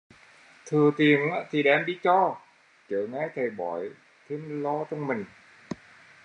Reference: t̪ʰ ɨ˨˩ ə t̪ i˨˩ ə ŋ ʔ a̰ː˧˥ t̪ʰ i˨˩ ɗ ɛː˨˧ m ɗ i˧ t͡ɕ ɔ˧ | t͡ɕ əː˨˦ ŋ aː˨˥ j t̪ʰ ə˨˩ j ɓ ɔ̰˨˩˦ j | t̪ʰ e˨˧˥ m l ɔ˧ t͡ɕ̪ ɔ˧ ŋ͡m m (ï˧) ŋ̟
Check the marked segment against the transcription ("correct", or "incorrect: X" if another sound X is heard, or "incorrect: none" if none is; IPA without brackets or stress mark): incorrect: ï˨˩